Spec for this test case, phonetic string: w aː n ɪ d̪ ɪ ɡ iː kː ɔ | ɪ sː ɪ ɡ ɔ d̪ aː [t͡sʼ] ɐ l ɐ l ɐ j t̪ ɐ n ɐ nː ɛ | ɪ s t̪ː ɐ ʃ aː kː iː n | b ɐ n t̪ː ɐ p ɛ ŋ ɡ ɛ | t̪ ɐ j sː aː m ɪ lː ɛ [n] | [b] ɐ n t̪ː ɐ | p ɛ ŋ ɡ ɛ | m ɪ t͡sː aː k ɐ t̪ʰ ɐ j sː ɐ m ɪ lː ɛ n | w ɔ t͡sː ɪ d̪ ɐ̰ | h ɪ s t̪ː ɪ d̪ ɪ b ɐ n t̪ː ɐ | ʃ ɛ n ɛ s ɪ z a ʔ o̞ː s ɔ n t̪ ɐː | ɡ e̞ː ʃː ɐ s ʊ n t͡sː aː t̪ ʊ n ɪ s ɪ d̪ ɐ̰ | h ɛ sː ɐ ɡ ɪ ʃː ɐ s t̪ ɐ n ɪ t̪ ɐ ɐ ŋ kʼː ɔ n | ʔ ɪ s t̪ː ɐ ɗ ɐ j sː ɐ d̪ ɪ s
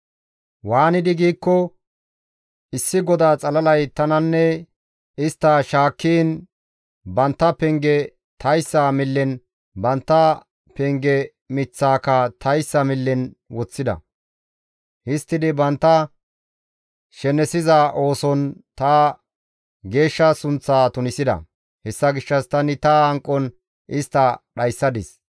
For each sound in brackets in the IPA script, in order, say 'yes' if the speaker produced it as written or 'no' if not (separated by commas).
yes, yes, yes